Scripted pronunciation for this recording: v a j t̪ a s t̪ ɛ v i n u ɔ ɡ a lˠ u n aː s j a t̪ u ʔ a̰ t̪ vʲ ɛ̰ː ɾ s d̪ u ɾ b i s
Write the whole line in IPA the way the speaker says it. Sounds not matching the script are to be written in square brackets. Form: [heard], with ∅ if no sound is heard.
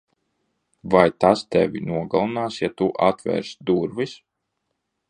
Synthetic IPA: v a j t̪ a s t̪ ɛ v i n u ɔ ɡ a lˠ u n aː s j a t̪ u ʔ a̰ t̪ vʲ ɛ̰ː ɾ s d̪ u ɾ [v] i s

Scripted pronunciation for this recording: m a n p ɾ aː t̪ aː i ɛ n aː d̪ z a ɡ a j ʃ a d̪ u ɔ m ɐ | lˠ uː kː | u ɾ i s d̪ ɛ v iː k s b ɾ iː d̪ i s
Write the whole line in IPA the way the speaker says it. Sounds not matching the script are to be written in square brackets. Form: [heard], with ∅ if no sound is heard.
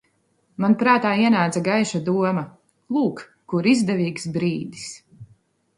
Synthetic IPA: m a n p ɾ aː t̪ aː i ɛ n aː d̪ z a ɡ a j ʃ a d̪ u ɔ m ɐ | lˠ uː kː | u ɾ i [z] d̪ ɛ v iː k s b ɾ iː d̪ i s

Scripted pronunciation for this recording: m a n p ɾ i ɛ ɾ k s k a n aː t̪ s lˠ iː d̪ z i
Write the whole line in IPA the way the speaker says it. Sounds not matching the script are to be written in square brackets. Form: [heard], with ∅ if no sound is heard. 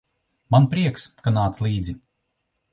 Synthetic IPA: m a n p ɾ i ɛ [∅] k s k a n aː t̪ s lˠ iː d̪ z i

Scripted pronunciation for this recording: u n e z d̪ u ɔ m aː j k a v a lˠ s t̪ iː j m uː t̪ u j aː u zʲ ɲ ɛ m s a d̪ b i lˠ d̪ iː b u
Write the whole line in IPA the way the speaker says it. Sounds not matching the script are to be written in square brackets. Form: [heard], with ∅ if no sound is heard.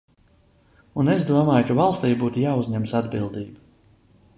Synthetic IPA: u n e z d̪ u ɔ m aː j k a v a lˠ s t̪ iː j [b] uː t̪ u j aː u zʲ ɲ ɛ m s a d̪ b i lˠ d̪ iː b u

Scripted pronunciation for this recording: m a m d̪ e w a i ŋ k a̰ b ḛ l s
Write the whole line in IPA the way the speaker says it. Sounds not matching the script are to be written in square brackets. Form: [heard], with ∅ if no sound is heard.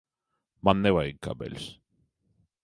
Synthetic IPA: m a [n] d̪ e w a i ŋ k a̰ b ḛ l s

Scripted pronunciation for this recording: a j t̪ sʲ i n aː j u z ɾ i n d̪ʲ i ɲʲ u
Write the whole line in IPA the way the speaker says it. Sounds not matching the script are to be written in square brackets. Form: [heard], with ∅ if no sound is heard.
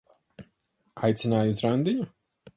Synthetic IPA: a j t̪ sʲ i n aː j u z ɾ [a] n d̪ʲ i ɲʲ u

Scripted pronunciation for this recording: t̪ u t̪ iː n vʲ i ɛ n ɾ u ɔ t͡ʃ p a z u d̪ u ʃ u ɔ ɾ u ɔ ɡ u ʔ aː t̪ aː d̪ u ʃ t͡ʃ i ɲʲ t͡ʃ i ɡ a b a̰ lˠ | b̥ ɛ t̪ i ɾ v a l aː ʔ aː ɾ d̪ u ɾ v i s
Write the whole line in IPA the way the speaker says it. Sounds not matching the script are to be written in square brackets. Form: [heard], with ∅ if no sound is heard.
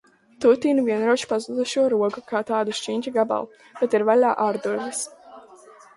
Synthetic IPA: t̪ u t̪ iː n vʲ i ɛ n ɾ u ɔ t͡ʃ p a z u d̪ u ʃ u ɔ ɾ u ɔ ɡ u [k] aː t̪ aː d̪ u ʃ t͡ʃ i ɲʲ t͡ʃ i ɡ a b a̰ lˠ | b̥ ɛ t̪ i ɾ v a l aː ʔ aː ɾ d̪ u ɾ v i s

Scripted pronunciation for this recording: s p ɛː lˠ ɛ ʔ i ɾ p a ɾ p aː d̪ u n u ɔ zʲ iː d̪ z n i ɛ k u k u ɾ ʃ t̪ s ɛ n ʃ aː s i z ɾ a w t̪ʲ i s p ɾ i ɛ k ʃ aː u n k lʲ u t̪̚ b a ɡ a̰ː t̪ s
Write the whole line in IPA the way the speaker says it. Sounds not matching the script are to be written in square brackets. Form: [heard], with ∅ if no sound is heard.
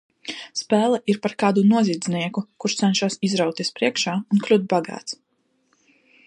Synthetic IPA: s p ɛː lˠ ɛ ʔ i ɾ p a ɾ [k] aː d̪ u n u ɔ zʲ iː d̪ z n i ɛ k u k u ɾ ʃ t̪ s ɛ n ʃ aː s i z ɾ a w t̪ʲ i s p ɾ i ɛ k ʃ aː u n k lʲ u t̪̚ b a ɡ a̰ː t̪ s

